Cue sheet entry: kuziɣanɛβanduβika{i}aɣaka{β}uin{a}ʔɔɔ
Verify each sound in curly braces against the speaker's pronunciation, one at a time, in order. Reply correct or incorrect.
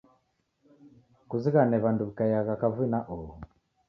incorrect, incorrect, correct

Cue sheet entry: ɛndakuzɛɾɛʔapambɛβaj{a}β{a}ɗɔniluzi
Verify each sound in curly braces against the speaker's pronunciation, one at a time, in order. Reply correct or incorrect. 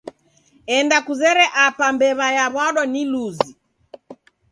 correct, correct

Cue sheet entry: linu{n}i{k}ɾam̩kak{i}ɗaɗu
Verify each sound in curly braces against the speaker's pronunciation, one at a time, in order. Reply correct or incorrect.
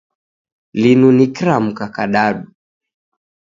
correct, correct, incorrect

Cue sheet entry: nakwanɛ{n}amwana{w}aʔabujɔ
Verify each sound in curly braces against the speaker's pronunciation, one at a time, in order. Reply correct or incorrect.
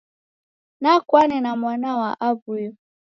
correct, correct

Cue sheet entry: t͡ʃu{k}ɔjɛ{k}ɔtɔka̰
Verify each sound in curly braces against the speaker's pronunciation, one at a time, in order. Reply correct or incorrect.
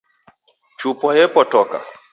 incorrect, incorrect

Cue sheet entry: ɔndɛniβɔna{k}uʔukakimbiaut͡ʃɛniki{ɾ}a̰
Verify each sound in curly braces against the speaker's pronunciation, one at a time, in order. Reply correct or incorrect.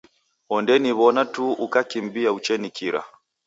incorrect, correct

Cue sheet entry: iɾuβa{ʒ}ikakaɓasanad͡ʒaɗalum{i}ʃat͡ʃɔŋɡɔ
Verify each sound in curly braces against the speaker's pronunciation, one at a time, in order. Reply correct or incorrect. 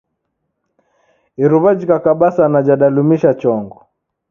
incorrect, correct

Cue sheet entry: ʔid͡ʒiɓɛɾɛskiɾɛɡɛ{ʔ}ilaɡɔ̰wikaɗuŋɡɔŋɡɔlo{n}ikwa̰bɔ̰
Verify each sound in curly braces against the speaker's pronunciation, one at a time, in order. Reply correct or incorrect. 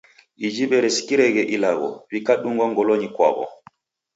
correct, incorrect

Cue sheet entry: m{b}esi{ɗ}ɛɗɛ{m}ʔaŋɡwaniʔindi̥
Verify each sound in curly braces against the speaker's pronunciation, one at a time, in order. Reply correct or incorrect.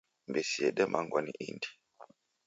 correct, incorrect, correct

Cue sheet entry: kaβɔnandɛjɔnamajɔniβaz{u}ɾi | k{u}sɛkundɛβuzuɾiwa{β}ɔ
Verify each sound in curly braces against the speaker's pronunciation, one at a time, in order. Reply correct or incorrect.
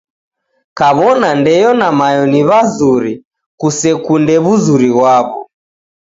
correct, correct, correct

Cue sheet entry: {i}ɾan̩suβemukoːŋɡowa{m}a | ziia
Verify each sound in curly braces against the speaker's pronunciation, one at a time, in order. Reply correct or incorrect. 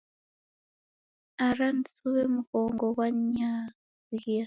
incorrect, incorrect

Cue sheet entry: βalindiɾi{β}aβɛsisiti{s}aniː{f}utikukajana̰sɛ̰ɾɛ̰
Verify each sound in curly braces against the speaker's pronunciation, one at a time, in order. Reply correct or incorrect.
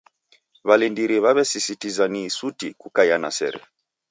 correct, incorrect, incorrect

